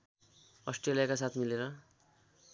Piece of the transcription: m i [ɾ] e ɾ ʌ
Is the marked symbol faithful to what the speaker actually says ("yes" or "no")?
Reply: no